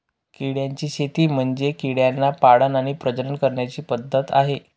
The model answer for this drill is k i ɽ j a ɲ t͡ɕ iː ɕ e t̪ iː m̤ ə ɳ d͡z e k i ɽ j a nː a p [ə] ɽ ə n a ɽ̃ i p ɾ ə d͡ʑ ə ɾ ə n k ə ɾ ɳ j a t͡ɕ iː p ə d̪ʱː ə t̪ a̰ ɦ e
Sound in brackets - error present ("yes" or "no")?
yes